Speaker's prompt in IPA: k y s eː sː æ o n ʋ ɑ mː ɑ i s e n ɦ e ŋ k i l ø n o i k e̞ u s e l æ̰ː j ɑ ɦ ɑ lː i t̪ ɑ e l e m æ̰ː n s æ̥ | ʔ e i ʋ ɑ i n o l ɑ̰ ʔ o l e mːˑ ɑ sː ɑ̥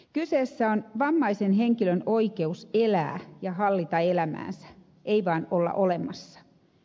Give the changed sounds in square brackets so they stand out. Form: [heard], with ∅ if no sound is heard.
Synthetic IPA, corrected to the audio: k y s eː sː æ o n ʋ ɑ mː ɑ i s e n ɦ e ŋ k i l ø n o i k e̞ u s e l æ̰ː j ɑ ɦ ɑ lː i t̪ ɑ e l [æ] m æ̰ː n s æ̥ | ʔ e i ʋ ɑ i n o [lː] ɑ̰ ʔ o l e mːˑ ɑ sː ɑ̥